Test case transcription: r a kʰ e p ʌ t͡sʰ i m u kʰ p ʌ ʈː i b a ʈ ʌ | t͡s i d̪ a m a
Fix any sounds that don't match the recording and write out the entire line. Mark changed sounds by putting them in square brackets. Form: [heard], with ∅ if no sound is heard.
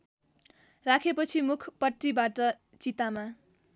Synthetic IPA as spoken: r a kʰ e p ʌ t͡sʰ i m u kʰ p ʌ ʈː i b a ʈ ʌ | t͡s i [t̪] a m a